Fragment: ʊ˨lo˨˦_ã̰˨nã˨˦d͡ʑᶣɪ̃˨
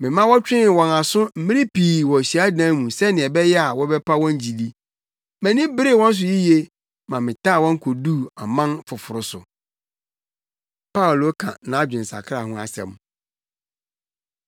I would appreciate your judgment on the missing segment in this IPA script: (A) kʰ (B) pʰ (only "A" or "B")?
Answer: A